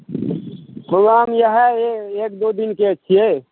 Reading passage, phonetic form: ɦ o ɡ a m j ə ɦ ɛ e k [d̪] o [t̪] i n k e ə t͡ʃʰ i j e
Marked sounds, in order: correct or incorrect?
correct, incorrect

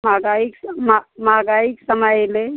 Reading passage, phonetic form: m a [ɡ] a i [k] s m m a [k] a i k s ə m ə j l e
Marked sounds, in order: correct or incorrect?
correct, correct, incorrect

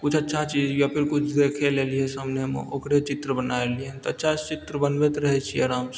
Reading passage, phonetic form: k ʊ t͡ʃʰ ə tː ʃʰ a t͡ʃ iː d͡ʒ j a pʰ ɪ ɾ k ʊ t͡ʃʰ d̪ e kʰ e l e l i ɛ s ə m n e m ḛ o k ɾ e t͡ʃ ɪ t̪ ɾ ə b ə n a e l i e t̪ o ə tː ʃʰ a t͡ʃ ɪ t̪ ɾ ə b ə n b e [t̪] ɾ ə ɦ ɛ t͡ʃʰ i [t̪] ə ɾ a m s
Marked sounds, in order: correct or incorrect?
correct, incorrect

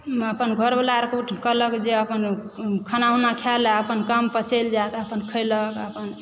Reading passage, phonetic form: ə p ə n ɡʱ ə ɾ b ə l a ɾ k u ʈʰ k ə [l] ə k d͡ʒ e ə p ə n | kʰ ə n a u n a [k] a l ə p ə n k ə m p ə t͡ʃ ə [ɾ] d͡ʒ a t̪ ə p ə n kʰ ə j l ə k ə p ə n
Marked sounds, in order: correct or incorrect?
correct, incorrect, incorrect

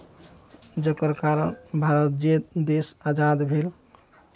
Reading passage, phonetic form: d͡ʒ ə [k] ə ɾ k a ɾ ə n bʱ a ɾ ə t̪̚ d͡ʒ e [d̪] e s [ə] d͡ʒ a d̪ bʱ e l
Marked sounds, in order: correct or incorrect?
correct, correct, incorrect

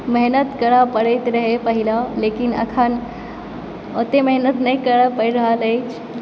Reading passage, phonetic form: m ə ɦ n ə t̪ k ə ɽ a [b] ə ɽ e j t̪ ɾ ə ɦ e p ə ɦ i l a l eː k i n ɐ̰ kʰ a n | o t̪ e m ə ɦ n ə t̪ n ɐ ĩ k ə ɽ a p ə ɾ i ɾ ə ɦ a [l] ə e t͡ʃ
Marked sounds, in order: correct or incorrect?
incorrect, correct

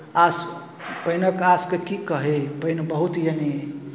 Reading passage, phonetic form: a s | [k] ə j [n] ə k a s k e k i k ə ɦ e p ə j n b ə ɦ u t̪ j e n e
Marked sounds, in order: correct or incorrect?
incorrect, correct

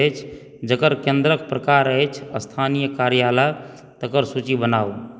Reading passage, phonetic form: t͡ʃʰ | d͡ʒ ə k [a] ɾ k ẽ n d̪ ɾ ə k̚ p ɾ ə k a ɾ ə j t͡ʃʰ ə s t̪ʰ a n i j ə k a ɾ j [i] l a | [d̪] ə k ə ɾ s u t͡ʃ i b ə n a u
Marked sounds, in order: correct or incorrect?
incorrect, incorrect, incorrect

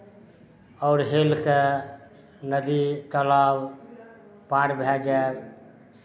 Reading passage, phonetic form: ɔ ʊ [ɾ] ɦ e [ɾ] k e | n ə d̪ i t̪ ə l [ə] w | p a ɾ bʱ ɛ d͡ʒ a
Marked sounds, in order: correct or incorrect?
correct, incorrect, incorrect

